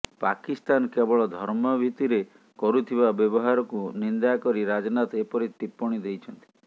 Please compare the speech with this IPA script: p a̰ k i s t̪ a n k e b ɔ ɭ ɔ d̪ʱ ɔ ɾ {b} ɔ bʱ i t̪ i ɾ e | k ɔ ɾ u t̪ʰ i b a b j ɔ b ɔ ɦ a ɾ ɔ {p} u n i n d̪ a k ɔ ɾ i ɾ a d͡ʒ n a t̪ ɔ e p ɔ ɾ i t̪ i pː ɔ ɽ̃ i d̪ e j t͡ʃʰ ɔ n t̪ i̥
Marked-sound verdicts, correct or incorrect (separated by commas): incorrect, incorrect